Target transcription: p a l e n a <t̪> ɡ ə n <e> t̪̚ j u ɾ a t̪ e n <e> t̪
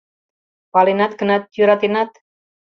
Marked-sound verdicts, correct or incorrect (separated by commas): correct, incorrect, incorrect